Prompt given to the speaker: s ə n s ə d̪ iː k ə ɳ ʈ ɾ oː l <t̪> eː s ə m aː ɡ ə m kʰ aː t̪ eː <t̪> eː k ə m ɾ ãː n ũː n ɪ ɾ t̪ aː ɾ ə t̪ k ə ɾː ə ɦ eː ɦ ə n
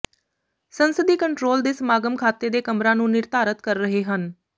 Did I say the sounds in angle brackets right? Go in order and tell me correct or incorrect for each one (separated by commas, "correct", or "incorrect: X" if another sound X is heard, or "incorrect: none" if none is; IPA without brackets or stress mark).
incorrect: d̪, incorrect: d̪